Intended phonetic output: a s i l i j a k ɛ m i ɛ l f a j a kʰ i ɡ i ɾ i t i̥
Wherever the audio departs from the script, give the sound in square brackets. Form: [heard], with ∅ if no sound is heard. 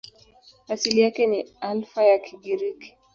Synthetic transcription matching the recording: a s i l i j a k ɛ [n] i [a] l f a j a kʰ i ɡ i ɾ i [k] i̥